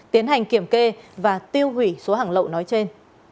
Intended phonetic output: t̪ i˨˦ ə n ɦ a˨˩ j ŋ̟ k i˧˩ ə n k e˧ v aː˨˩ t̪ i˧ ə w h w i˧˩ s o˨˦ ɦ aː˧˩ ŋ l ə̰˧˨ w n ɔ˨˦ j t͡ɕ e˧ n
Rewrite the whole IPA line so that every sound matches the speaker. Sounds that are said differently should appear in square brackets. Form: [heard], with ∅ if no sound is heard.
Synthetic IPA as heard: t̪ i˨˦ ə n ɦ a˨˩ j ŋ̟ k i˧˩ ə [m] k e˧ v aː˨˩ t̪ i˧ ə w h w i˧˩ s o˨˦ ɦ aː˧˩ ŋ l ə̰˧˨ w n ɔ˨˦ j t͡ɕ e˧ n